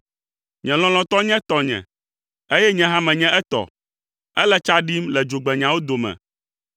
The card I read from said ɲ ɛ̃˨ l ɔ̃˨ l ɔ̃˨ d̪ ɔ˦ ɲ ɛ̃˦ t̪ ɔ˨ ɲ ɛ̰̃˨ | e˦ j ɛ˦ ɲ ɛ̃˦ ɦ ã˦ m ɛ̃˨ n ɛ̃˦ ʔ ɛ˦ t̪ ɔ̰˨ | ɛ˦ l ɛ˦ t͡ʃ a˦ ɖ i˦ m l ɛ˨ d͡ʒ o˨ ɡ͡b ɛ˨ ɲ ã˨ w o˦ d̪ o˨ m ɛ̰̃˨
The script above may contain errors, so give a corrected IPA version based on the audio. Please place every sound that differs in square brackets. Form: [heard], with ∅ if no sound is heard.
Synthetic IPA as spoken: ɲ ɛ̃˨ l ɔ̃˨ l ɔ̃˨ [t̪] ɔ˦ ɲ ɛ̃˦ t̪ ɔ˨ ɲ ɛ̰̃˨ | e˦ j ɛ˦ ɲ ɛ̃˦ ɦ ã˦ m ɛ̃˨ [ɲ] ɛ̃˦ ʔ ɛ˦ t̪ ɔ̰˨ | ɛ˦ l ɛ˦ t͡ʃ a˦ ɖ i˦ m l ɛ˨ d͡ʒ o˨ ɡ͡b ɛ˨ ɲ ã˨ w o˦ d̪ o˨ m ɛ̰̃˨